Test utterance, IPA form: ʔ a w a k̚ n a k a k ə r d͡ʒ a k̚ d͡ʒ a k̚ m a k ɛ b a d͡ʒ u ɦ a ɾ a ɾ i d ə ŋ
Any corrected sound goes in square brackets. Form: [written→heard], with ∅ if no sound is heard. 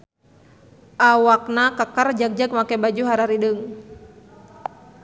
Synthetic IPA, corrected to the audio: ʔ a w a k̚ n a k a k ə r d͡ʒ a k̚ d͡ʒ a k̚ m a k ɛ b a d͡ʒ u ɦ a ɾ a ɾ i d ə ŋ